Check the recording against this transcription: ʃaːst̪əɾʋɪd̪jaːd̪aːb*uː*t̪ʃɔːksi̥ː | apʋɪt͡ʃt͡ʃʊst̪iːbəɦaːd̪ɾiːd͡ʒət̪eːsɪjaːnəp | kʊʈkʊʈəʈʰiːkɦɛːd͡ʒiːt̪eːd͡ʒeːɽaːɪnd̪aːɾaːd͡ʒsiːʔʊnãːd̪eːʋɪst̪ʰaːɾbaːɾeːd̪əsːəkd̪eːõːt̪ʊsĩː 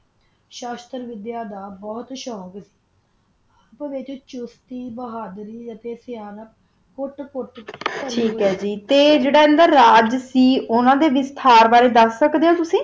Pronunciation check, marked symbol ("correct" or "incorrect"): incorrect